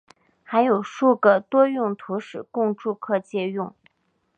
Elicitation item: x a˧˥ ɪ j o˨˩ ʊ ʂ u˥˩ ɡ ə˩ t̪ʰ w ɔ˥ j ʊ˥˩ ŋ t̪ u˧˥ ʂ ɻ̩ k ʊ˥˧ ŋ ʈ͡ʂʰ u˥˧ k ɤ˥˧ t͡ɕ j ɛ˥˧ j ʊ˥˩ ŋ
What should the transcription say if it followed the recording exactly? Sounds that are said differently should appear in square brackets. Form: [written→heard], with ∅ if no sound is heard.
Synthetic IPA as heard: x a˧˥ ɪ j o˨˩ ʊ ʂ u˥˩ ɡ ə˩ [t̪ʰ→t̪] w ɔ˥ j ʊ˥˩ ŋ [t̪→t̪ʰ] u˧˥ ʂ ɻ̩ k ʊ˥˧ ŋ [ʈ͡ʂʰ→ʈ͡ʂ] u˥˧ [k→kʰ] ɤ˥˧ t͡ɕ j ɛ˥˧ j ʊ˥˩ ŋ